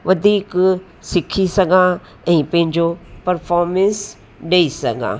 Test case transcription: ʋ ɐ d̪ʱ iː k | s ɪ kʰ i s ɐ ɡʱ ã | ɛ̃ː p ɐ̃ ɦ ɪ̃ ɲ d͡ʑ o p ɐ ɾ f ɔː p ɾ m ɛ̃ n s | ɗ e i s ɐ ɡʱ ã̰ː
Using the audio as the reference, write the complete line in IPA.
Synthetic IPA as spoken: ʋ ɐ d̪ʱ iː k | s ɪ kʰ i s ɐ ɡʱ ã | ɛ̃ː p ɐ̃ ɦ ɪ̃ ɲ d͡ʑ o p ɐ ɾ f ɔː ɾ m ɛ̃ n s | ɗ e i s ɐ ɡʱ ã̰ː

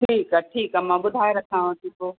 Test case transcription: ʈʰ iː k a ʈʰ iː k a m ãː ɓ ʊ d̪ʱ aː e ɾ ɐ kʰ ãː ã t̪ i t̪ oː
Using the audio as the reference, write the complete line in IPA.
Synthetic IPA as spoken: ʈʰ iː k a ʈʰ iː k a m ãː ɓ ʊ d̪ʱ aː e ɾ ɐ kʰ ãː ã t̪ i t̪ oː

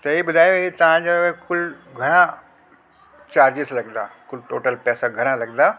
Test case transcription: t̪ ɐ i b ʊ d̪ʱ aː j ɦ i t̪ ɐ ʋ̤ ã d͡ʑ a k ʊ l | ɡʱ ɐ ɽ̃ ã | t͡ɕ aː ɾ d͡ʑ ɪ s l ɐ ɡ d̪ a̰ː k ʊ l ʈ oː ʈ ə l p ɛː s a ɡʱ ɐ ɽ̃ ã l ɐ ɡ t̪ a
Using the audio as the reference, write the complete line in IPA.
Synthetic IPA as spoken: t̪ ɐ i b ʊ d̪ʱ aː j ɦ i t̪ ɐ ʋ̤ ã d͡ʑ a k ʊ l | ɡʱ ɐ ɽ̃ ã | t͡ɕ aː ɾ d͡ʑ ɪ s l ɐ ɡ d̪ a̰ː k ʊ l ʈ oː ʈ ə l p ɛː s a ɡʱ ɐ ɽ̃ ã l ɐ ɡ d̪ a

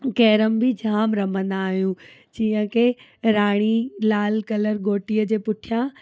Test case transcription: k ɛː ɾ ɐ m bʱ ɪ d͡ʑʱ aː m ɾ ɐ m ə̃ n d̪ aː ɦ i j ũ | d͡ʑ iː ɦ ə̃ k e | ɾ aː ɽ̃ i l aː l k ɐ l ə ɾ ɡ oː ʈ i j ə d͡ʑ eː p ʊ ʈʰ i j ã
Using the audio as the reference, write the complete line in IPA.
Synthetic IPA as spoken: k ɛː ɾ ə m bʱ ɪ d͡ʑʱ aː m ɾ ɐ m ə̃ n d̪ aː ɦ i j ũ | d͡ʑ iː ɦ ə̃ k e | ɾ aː ɽ̃ i l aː l k ɐ l ə ɾ ɡ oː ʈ i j ə d͡ʑ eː p ʊ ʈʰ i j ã

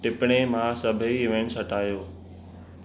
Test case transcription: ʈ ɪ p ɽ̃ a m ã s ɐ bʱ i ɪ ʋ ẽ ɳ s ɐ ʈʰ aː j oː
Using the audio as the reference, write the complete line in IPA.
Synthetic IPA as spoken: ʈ ɪ p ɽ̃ e m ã s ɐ bʱ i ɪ ʋ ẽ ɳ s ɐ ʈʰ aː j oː

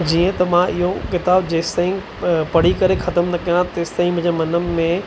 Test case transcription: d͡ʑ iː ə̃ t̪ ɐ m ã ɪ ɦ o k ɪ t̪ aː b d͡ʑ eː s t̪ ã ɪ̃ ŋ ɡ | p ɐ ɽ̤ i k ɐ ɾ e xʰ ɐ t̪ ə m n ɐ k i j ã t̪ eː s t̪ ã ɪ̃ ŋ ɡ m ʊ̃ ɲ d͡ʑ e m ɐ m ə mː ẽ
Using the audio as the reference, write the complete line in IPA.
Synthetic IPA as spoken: d͡ʑ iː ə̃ t̪ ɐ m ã ɪ ɦ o k ɪ t̪ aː b d͡ʑ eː s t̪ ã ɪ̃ ŋ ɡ | p ɐ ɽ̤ i k ɐ ɾ e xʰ ɐ t̪ ə m n ɐ k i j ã t̪ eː s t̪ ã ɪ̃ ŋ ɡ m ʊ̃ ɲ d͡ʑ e m ɐ n ə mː ẽ

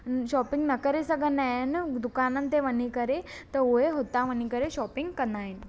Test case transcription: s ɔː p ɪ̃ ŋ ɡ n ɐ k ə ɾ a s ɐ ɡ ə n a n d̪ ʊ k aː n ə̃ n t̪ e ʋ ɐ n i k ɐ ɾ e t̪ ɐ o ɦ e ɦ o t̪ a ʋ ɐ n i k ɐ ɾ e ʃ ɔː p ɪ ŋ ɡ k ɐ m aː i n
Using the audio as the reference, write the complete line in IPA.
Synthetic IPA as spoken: ʃ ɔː p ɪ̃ ŋ ɡ n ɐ k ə ɾ e s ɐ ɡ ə n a n d̪ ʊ k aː n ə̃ n t̪ e ʋ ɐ n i k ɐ ɾ e t̪ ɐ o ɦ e ɦ o t̪ a ʋ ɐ n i k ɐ ɾ e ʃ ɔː p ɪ ŋ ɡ k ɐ n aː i n

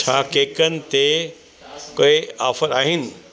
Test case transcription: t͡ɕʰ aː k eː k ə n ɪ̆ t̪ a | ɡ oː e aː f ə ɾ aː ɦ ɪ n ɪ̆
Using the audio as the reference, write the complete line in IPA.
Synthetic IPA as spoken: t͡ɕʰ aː k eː k ə n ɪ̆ t̪ e | k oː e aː f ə ɾ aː ɦ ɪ n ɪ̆

